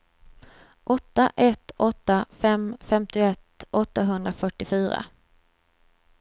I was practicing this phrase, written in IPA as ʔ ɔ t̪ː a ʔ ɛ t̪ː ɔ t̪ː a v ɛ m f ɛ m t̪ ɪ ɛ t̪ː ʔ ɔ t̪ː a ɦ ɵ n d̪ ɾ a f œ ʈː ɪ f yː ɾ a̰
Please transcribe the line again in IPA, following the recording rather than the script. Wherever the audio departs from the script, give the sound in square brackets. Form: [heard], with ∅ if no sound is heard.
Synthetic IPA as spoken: ʔ ɔ t̪ː a ʔ ɛ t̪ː ɔ t̪ː a [f] ɛ m f ɛ m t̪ ɪ ɛ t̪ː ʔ ɔ t̪ː a ɦ ɵ n d̪ ɾ a f œ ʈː ɪ f yː ɾ a̰